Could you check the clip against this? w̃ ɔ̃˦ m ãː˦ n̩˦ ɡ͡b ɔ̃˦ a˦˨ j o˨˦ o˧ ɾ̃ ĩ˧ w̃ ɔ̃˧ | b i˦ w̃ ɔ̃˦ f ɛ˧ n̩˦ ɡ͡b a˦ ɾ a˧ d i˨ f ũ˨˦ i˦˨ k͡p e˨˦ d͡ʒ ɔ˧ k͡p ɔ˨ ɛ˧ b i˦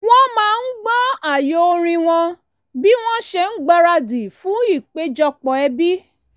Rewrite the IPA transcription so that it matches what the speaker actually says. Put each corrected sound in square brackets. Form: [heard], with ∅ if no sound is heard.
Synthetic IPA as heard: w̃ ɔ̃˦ m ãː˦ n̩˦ ɡ͡b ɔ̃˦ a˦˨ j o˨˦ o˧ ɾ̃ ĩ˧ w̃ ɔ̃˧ | b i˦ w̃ ɔ̃˦ [ʃ] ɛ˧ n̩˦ ɡ͡b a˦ ɾ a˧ d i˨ f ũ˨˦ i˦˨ k͡p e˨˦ d͡ʒ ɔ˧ k͡p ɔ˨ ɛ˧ b i˦